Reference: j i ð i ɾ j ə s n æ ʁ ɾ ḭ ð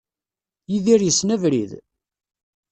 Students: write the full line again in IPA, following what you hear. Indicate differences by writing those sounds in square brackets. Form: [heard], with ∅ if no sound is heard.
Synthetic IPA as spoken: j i ð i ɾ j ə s n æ [v] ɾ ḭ ð

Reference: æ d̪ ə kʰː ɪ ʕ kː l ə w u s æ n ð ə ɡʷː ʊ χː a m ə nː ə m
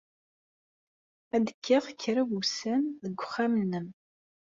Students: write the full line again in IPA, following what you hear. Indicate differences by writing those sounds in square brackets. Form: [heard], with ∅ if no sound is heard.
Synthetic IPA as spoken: æ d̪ ə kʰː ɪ [ʁ] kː [ɾ] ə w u s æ n ð ə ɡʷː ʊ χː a m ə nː ə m

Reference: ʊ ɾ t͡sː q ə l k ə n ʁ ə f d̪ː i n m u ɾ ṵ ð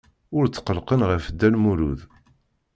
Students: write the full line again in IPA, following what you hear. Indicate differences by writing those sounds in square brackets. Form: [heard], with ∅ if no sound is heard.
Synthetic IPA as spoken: ʊ ɾ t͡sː q ə l [q] ə n ʁ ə f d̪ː [æ] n m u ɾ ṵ ð

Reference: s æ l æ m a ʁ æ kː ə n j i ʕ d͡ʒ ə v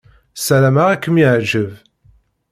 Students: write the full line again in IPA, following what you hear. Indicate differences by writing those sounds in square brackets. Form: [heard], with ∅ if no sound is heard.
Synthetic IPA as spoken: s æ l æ m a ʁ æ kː ə [m] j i ʕ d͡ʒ ə v

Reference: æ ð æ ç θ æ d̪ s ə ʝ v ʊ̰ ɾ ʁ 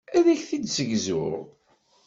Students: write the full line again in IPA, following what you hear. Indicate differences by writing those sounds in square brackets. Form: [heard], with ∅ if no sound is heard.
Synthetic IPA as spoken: æ ð æ ç θ [i] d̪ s ə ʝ [z] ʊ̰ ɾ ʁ

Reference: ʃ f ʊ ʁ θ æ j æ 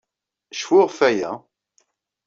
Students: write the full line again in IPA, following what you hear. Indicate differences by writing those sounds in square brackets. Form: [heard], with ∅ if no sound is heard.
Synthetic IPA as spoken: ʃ f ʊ ʁ [f] æ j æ

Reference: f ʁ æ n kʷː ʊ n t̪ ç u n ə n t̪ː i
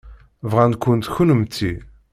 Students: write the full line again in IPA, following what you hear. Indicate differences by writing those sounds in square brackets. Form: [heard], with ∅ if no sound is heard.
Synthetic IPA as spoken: [v] ʁ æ n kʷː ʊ n t̪ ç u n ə [m] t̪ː i

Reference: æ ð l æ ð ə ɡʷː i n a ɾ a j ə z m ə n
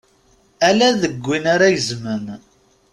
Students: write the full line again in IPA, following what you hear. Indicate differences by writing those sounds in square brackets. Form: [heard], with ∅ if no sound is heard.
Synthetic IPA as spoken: æ [∅] l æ ð ə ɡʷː i n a ɾ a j ə z m ə n

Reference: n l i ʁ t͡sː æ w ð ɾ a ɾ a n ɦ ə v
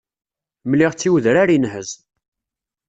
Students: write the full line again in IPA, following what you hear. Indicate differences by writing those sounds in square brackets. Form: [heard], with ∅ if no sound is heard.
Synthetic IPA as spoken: [m] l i ʁ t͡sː [i] w ð ɾ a ɾ [i] n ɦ ə [z]

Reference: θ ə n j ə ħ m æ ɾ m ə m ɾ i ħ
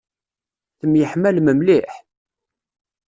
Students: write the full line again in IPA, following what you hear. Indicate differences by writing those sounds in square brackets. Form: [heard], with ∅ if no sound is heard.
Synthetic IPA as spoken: θ ə [m] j ə ħ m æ [l] m ə m [l] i ħ

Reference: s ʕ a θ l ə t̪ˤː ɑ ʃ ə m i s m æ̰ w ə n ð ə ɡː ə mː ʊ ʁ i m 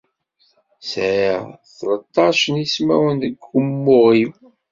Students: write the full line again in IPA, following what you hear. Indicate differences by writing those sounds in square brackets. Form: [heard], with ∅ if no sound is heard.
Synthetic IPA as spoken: s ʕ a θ l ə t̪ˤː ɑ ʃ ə [n] i s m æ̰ w ə n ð ə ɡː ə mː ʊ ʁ i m

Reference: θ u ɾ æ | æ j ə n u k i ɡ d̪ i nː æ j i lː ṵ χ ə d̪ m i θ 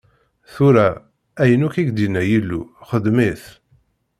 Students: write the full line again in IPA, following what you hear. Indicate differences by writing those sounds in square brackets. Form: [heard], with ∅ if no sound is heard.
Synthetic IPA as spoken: θ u ɾ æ | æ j ə n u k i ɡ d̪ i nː æ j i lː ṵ χ ə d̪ m i θ

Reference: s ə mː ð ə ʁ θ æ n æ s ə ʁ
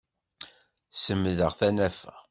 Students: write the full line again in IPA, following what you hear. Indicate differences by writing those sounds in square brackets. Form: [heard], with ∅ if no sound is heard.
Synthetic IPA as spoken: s ə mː ð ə ʁ θ æ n æ [f] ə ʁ

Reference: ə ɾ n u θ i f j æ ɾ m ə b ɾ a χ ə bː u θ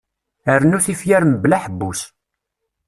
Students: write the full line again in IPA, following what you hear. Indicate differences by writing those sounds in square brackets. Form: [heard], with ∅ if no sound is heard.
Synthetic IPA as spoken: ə ɾ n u θ i f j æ ɾ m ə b [l] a [ħ] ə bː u [s]

